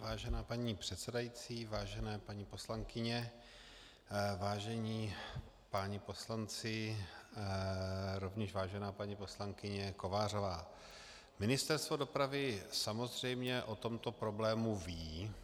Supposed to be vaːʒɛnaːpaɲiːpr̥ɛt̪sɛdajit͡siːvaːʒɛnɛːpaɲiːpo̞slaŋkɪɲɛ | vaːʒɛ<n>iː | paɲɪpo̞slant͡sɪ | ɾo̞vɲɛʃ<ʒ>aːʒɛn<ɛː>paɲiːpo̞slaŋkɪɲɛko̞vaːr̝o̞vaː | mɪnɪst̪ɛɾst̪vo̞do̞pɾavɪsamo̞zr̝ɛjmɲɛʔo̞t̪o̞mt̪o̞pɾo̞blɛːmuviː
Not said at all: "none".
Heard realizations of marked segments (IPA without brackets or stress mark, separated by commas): ɲ, v, aː